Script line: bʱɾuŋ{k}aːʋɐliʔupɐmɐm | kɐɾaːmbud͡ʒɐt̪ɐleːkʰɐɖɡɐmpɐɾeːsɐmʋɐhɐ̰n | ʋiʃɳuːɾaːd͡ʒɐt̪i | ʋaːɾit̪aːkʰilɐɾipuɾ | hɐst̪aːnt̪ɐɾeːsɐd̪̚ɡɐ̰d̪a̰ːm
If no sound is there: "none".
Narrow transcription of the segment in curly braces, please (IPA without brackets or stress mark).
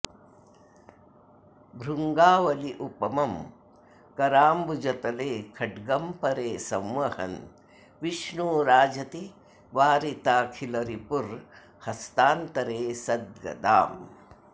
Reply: ɡ